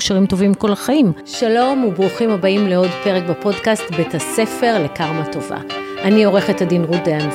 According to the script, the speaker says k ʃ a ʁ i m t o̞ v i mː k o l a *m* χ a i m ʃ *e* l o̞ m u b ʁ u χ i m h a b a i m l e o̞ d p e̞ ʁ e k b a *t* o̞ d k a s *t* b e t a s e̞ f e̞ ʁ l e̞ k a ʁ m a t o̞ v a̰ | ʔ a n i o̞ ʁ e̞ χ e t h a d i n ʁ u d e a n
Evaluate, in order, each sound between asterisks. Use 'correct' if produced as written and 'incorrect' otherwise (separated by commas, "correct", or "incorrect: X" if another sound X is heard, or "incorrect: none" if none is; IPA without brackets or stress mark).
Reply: incorrect: none, incorrect: a, incorrect: p, correct